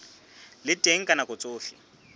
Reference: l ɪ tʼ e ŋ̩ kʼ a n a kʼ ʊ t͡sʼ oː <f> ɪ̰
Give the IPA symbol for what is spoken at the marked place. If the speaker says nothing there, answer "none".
f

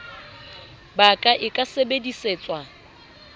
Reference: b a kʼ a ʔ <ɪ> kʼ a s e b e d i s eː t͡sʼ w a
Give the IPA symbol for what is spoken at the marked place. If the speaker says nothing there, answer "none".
ɪ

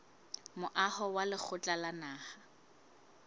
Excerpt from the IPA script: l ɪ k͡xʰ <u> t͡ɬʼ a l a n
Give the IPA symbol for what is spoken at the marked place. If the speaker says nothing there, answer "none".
ʊ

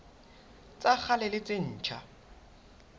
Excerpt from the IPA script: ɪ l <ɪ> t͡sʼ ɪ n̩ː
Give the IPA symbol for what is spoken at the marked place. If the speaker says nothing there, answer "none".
ɪ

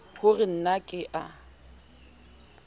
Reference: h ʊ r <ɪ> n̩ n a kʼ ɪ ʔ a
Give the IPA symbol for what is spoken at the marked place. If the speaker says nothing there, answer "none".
ɪ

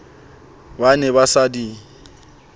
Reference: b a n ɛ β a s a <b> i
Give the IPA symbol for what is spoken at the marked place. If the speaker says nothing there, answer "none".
d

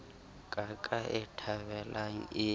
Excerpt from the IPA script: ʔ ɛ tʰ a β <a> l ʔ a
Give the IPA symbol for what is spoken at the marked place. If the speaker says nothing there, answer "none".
ɛ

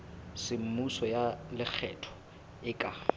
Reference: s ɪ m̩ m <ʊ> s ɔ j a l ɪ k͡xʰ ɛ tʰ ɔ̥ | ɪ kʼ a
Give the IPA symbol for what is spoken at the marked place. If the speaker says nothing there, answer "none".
u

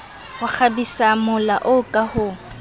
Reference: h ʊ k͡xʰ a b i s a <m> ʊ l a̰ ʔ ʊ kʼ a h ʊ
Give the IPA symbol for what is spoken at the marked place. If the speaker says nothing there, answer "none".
m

